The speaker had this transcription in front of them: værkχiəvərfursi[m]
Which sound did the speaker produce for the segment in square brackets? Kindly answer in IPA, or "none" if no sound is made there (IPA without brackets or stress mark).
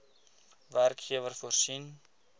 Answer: n